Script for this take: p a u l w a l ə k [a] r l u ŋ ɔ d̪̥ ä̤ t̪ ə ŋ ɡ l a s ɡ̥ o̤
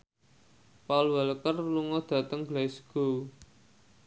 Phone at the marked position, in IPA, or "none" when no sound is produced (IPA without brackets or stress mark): ə